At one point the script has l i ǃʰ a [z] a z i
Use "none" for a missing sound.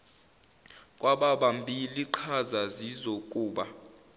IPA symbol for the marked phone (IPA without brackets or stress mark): z